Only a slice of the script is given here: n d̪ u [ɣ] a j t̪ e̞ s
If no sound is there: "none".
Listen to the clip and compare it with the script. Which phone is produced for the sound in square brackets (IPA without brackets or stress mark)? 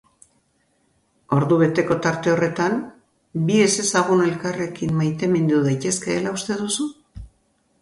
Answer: ð